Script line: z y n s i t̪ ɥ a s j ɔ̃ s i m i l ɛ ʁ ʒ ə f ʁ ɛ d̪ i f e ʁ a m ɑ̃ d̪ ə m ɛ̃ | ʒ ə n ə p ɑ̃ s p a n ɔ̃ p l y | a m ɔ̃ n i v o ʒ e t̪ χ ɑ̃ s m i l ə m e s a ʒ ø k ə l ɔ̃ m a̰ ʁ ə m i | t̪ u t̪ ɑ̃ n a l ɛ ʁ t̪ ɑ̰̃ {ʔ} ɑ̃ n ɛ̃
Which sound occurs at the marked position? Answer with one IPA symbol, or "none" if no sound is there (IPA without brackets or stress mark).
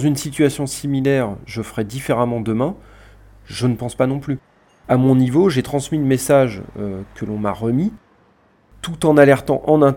ʔ